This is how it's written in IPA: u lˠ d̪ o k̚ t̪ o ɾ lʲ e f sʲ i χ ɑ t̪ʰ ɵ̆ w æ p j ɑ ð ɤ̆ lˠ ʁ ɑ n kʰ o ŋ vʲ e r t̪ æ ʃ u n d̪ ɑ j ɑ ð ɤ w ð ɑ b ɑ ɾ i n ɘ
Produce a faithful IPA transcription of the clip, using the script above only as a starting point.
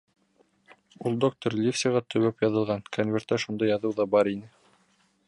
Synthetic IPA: u lˠ d̪ o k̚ t̪ o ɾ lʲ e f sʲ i ʁ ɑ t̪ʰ ɵ̆ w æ p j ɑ ð ɤ̆ lˠ ʁ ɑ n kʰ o n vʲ e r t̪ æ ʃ u n d̪ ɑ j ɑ ð ɤ w ð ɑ b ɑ ɾ i n ɘ